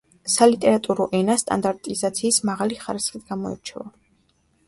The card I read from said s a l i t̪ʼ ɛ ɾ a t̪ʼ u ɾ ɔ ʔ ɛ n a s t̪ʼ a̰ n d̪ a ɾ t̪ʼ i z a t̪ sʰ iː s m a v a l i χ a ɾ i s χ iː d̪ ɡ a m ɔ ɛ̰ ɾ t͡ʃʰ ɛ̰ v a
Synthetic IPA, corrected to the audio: s a l i t̪ʼ ɛ ɾ a t̪ʼ u ɾ ɔ ʔ ɛ n a s t̪ʼ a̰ n d̪ a ɾ t̪ʼ i z a t̪ sʰ iː s m a ʁ a l i χ a ɾ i s χ i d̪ ɡ a m ɔ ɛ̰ ɾ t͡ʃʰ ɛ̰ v a

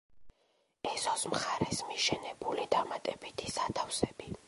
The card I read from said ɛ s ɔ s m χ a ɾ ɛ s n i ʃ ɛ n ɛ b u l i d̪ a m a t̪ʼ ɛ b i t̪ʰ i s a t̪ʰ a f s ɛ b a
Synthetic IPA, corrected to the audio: ɛ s ɔ s m χ a ɾ ɛ s m i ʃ ɛ n ɛ b u l i d̪ a m a t̪ʼ ɛ b i t̪ʰ i s a t̪ʰ a f s ɛ b i

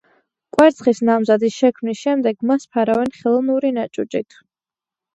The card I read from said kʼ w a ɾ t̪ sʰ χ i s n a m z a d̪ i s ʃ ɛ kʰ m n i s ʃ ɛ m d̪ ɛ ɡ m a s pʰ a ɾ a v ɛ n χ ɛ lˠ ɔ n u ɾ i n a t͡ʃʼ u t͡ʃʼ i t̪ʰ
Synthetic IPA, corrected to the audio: kʼ w ɛ ɾ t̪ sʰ χ i s n a m z a d̪ i s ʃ ɛ kʰ m n i s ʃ ɛ m d̪ ɛ ɡ m a s pʰ a ɾ a v ɛ n χ ɛ lˠ ɔ n u ɾ i n a t͡ʃʼ u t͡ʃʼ i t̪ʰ

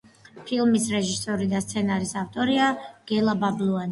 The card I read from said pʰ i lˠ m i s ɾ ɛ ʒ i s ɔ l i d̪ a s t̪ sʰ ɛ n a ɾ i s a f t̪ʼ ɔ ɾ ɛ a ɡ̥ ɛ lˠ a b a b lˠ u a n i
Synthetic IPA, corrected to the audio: pʰ i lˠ m i s ɾ ɛ ʒ i s ɔ ɾ i d̪ a s t̪ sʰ ɛ n a ɾ i s a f t̪ʼ ɔ ɾ i a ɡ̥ ɛ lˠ a b a b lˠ u a n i

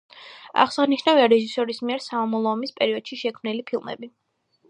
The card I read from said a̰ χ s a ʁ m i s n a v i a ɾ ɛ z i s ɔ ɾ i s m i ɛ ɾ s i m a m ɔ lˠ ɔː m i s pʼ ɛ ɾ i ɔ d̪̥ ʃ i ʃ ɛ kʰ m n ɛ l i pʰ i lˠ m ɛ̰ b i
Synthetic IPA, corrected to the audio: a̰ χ s a ʁ n i ʃ n a v i a ɾ ɛ ʒ i s ɔ ɾ i s m i ɛ ɾ s a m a m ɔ lˠ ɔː m i s pʼ ɛ ɾ i ɔ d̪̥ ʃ i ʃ ɛ kʰ m n i l i pʰ i lˠ m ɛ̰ b i

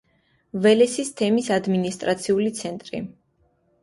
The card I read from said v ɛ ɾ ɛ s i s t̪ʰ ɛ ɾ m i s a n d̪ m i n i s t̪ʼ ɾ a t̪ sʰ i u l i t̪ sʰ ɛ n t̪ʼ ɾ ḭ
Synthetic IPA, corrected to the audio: v ɛ l ɛ s i s t̪ʰ ɛ m i s a d̪ m i n i s t̪ʼ ɾ a t̪ sʰ i u l i t̪ sʰ ɛ n t̪ʼ ɾ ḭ

